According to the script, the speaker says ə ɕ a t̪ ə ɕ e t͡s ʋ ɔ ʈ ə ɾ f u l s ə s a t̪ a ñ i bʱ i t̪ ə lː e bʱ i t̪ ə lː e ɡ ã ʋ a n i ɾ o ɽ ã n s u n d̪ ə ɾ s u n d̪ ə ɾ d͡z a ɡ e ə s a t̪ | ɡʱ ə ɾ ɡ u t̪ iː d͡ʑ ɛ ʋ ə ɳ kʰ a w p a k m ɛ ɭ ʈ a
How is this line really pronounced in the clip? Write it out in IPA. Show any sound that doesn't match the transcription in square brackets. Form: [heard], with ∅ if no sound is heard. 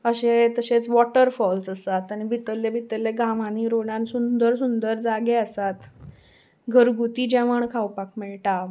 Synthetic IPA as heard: ə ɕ [e] t̪ ə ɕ e t͡s ʋ ɔ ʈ ə ɾ f [ɔ] l s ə s a t̪ a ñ i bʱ i t̪ ə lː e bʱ i t̪ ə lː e ɡ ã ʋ a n i ɾ o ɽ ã n s u n d̪ ə ɾ s u n d̪ ə ɾ d͡z a ɡ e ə s a t̪ | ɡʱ ə ɾ ɡ u t̪ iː d͡ʑ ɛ ʋ ə ɳ kʰ a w p a k m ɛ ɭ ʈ a